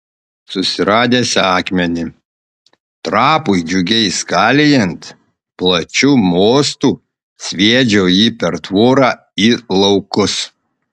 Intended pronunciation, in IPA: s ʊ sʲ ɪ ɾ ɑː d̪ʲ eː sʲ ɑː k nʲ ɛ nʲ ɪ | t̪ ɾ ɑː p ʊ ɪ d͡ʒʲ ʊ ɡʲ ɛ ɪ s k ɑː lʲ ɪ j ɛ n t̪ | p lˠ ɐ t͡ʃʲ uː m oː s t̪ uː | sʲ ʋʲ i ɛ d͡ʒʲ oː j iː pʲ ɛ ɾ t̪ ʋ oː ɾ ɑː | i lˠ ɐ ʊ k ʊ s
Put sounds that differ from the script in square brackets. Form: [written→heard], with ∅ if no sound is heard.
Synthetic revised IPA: s ʊ sʲ ɪ ɾ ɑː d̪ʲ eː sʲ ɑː k [nʲ→mʲ] ɛ nʲ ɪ | t̪ ɾ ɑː p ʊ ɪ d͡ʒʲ ʊ ɡʲ ɛ ɪ s k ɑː lʲ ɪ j ɛ n t̪ | p lˠ ɐ t͡ʃʲ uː m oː s t̪ uː | sʲ ʋʲ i ɛ d͡ʒʲ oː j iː pʲ ɛ ɾ t̪ ʋ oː ɾ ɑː | i lˠ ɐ ʊ k ʊ s